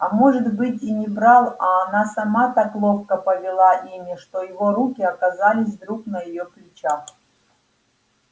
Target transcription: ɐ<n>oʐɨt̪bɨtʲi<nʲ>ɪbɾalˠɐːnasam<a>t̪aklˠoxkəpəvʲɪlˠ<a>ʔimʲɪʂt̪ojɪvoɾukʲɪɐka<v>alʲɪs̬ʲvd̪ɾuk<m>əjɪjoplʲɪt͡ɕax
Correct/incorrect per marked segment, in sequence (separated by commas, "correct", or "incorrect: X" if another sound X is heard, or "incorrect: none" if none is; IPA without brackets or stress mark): incorrect: m, correct, correct, correct, incorrect: z, incorrect: n